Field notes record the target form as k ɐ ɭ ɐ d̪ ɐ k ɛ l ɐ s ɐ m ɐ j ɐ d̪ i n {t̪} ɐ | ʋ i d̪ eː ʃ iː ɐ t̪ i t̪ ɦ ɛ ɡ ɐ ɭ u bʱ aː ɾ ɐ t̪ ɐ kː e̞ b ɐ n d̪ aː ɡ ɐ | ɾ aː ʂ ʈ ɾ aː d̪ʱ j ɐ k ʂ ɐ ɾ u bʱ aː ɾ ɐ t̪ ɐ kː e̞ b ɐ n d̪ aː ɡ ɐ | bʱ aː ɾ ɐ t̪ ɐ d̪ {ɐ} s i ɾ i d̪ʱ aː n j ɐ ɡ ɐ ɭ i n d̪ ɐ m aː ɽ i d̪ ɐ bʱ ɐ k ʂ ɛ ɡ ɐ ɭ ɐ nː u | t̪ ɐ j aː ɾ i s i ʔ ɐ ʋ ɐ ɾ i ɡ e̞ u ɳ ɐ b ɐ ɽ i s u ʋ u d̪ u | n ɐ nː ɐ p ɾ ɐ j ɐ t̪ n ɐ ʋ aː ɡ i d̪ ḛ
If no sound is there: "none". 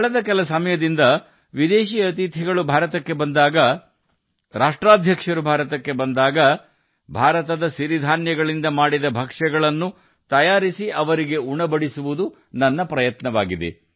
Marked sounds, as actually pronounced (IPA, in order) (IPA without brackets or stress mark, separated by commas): d̪, ɐ